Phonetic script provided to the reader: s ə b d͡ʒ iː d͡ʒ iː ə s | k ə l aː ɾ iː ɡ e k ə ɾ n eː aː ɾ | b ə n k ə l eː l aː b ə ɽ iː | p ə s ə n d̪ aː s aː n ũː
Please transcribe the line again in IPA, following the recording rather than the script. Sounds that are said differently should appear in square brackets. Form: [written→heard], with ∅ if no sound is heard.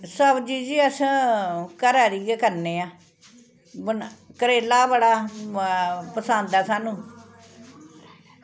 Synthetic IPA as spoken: s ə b d͡ʒ iː d͡ʒ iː ə s | k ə [l→ɾ] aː ɾ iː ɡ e k ə ɾ n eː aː [ɾ→∅] | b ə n k ə [l→ɾ] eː l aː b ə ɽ [iː→aː] | p ə s ə n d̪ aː s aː n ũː